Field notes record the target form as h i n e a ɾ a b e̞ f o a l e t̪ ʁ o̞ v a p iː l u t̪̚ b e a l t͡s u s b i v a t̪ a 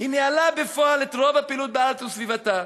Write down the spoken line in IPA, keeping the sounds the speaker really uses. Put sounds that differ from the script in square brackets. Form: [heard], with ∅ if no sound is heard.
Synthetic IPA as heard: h i n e a [l] a b e̞ f o a l e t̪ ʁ o̞ v a p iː l u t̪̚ b e a l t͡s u s [v] i v a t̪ a